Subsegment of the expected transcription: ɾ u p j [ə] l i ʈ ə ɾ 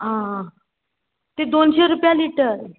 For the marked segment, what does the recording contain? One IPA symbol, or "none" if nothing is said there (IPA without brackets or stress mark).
a